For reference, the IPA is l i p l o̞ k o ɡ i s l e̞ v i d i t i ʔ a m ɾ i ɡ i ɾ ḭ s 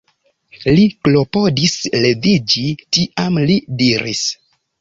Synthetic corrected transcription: l i k l o̞ p o d i s l e̞ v i d͡ʒ i t i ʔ a m l i d i ɾ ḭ s